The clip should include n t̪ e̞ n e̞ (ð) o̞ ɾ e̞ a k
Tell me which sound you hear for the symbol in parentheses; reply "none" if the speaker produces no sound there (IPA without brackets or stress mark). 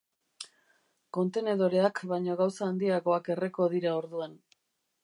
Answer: ð